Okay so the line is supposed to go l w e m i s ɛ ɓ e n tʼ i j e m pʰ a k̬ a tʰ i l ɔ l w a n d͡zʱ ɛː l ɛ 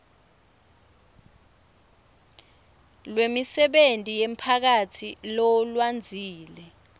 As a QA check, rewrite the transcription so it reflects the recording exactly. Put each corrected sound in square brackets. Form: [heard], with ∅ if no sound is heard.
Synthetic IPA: l w e m i s ɛ ɓ e n tʼ i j e m pʰ a k̬ a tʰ i l ɔ l w a n d͡zʱ [iː] l ɛ

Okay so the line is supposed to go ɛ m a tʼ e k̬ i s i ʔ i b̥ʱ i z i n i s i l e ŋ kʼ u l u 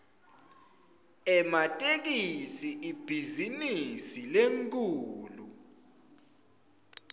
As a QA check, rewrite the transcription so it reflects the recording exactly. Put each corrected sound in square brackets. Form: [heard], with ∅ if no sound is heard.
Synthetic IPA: ɛ m a tʼ e k̬ i s i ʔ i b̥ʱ i z i n i s i l e ŋ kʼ [uː] l u

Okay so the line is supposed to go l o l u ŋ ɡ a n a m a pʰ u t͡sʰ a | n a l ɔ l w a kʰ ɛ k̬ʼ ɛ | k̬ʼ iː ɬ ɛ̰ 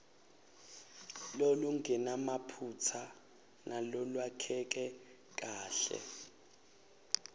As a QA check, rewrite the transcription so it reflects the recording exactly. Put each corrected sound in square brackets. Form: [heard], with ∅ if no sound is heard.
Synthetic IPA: l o l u ŋ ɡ [ɛ] n a m a pʰ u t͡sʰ a | n a l ɔ l w a kʰ ɛ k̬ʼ ɛ | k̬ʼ [aː] ɬ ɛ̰

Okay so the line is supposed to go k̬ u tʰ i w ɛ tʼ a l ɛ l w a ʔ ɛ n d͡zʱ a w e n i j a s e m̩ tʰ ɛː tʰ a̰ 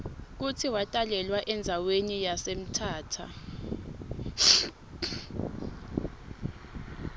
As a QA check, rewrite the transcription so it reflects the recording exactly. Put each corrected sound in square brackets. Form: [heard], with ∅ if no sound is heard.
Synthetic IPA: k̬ u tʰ i w [a] tʼ a l ɛ l w a ʔ ɛ n d͡zʱ a w e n i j a s e m̩ tʰ [aː] tʰ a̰

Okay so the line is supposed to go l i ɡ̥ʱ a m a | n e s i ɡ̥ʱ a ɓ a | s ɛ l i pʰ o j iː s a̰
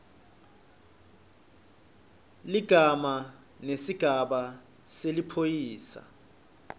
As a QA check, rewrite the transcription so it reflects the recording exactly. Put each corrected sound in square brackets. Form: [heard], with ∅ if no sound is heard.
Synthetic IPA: l i ɡ̥ʱ a m a | n e s i ɡ̥ʱ a ɓ a | s [e] l i pʰ o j iː s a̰

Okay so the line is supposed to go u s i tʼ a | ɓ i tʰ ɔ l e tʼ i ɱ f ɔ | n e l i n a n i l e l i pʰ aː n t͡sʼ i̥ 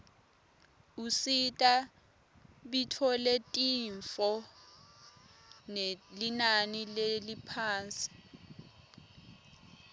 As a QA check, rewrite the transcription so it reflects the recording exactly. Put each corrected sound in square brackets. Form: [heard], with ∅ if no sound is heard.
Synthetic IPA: u s i tʼ a | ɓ i tʰ ɔ l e tʼ i ɱ f ɔ | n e l i n a n i l e l i pʰ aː n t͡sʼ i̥

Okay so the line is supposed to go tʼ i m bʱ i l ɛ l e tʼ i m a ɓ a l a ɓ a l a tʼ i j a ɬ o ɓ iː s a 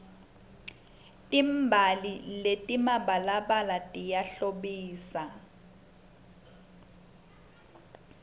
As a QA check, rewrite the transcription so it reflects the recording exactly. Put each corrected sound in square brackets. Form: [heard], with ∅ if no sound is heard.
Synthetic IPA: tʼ i m bʱ [a] l [i] l e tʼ i m a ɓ a l a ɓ a l a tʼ i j a ɬ o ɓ iː s a

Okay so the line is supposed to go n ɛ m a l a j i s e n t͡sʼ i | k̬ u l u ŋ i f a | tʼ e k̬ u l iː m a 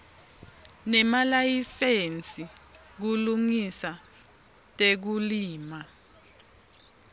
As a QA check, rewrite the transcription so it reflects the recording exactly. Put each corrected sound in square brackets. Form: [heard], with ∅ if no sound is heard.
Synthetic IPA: n ɛ m a l a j i s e n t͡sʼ i | k̬ u l u ŋ i [s] a | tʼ e k̬ u l iː m a

